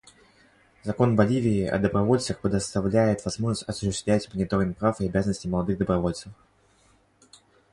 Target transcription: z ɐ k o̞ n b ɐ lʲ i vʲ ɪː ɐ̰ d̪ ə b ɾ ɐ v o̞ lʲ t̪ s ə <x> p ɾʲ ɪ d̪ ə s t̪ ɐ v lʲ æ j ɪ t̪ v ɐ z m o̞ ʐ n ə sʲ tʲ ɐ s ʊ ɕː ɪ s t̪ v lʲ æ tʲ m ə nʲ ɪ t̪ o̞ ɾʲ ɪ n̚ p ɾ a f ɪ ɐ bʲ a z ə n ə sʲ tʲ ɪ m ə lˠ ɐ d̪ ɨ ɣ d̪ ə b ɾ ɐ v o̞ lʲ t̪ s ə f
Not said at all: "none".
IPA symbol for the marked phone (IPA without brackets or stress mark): x